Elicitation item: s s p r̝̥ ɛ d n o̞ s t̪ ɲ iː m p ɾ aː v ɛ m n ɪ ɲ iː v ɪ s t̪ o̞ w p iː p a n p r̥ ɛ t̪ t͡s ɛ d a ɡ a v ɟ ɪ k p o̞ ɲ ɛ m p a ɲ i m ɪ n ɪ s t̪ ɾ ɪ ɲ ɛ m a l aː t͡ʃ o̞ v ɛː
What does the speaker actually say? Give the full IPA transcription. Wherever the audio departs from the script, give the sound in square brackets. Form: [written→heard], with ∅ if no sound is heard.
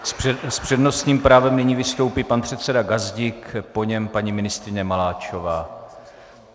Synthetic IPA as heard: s s p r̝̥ ɛ d n o̞ s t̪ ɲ iː m p ɾ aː v ɛ m n ɪ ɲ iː v ɪ s t̪ o̞ w p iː p a n p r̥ ɛ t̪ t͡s ɛ d a ɡ a [v→z] ɟ ɪ k p o̞ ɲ ɛ m p a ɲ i m ɪ n ɪ s t̪ ɾ ɪ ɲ ɛ m a l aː t͡ʃ o̞ v [ɛː→aː]